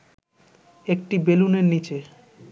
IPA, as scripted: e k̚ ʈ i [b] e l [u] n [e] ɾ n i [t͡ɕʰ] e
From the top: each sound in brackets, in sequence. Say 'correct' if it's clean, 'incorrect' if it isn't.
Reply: correct, correct, correct, incorrect

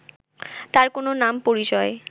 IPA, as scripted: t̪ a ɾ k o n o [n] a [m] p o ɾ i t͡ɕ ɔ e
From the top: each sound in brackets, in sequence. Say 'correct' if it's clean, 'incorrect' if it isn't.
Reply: correct, correct

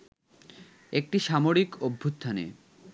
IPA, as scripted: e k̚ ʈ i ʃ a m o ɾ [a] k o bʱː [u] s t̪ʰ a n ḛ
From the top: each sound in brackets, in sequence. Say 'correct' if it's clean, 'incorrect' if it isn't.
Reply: incorrect, correct

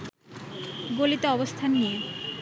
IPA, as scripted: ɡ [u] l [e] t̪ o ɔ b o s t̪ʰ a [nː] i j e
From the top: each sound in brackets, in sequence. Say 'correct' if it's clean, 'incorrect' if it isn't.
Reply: incorrect, incorrect, correct

